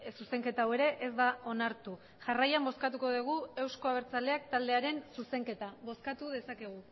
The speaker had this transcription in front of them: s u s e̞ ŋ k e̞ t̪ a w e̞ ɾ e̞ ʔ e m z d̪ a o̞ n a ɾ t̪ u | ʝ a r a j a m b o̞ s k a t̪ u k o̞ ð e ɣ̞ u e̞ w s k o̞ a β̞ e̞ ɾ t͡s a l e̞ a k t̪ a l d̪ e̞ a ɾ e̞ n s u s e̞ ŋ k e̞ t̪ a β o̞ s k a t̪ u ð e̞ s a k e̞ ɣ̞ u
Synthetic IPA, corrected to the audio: s u s e̞ ŋ k e̞ t̪ a w e̞ ɾ e̞ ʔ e z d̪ a o̞ n a ɾ t̪ u | ʝ a r a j a m b o̞ s k a t̪ u k o̞ ð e ɣ̞ u e̞ w s k o̞ a β̞ e̞ ɾ t͡s a l e̞ a k t̪ a l d̪ e̞ a ɾ e̞ n s u s e̞ ŋ k e̞ t̪ a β o̞ s k a t̪ u ð e̞ s a k e̞ ɣ̞ u